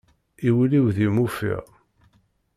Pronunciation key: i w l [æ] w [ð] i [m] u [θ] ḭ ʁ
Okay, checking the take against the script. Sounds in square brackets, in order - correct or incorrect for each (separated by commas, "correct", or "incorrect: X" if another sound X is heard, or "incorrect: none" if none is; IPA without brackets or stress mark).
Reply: incorrect: i, correct, correct, incorrect: f